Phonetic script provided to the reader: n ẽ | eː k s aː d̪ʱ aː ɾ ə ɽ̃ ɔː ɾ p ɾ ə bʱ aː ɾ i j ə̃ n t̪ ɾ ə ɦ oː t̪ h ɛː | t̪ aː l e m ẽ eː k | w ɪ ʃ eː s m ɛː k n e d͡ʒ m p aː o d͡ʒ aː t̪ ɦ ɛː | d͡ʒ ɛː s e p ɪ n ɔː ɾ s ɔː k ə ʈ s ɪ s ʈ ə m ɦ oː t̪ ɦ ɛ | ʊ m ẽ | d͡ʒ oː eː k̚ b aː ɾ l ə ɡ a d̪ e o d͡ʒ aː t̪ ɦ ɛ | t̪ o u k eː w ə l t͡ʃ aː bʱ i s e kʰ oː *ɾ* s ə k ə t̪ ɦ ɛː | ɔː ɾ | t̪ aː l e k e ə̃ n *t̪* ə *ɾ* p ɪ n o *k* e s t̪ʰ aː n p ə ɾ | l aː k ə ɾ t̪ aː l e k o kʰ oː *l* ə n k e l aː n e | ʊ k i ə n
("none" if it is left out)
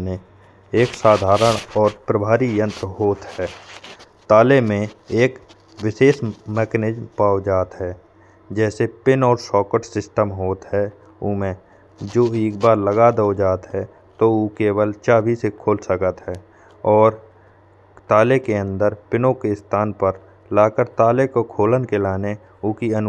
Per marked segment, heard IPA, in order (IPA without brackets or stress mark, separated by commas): l, d̪, ɾ, k, l